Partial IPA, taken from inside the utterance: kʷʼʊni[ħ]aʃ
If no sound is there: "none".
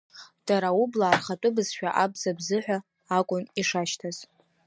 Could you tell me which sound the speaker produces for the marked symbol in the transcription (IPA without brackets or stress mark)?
ʂ